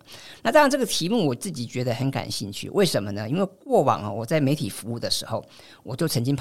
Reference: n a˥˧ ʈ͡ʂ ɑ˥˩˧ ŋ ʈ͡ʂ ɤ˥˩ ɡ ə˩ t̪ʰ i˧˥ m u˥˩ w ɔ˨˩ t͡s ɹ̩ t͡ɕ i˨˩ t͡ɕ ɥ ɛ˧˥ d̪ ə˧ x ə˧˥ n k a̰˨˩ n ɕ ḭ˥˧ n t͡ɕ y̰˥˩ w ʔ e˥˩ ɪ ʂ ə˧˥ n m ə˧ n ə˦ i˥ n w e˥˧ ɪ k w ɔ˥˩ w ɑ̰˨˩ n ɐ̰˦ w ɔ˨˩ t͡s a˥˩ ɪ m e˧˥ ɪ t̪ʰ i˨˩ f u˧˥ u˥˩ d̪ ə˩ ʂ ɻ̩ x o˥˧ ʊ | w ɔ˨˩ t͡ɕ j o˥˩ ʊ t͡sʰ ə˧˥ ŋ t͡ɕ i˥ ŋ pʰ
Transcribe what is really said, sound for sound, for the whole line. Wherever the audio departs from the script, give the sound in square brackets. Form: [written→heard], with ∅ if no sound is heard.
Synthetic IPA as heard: n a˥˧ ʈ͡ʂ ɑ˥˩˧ ŋ ʈ͡ʂ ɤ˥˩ ɡ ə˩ t̪ʰ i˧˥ m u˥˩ w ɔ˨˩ t͡s ɹ̩ t͡ɕ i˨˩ t͡ɕ ɥ ɛ˧˥ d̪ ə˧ x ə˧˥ n k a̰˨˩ n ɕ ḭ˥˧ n [t͡ɕ→t͡ɕʰ] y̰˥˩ w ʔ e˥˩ ɪ ʂ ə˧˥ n m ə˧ n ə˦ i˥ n w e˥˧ ɪ k w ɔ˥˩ w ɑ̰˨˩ [n→ŋ] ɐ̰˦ w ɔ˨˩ t͡s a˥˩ ɪ m e˧˥ ɪ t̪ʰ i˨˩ f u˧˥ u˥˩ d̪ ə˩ ʂ ɻ̩ x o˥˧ ʊ | w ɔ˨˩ t͡ɕ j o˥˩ ʊ t͡sʰ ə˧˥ ŋ t͡ɕ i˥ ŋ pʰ